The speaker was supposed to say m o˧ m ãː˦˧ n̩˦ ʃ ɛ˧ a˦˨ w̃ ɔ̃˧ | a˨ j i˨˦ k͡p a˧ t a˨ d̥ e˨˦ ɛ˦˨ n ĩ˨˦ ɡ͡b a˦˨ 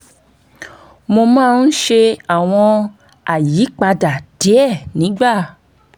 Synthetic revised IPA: m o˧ m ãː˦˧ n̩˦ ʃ e˧ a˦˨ w̃ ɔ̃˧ | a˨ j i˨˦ k͡p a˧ d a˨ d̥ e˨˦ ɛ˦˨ n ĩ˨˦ ɡ͡b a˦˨